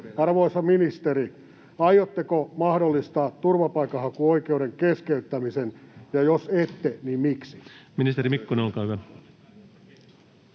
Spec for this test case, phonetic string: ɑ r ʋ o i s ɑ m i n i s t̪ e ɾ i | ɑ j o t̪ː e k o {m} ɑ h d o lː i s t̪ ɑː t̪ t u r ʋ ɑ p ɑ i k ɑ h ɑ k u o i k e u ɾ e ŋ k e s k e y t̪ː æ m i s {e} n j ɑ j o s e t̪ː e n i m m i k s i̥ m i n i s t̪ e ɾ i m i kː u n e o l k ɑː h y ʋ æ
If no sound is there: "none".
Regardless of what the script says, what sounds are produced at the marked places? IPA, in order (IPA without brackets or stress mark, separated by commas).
m, e